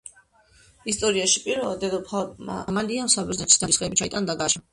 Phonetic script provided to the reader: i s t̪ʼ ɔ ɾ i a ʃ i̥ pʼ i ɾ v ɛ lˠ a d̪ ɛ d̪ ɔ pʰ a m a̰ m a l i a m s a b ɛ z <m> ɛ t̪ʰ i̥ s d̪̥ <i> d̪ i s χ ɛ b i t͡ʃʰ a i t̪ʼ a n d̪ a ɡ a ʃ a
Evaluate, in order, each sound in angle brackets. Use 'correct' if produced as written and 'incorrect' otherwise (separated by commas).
incorrect, incorrect